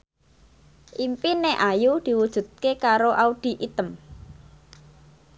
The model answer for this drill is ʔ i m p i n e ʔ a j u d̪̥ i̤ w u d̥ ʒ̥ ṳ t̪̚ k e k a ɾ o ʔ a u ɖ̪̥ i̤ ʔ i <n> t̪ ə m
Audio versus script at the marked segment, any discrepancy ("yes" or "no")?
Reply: yes